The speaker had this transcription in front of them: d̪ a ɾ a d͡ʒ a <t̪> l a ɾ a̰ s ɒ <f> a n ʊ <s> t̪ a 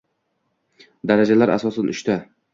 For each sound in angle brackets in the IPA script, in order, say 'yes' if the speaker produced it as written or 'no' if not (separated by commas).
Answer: no, no, no